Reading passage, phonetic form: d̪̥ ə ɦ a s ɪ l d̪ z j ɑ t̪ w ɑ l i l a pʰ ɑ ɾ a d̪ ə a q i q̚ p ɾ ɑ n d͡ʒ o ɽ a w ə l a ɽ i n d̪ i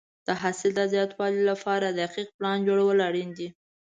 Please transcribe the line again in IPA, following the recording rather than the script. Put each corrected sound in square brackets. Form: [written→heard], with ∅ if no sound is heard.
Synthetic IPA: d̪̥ ə ɦ a s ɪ l d̪ z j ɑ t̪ w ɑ l i l a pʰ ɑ ɾ a d̪ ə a q i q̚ p [ɾ→l] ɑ n d͡ʒ o ɽ a w ə l a ɽ i n d̪ i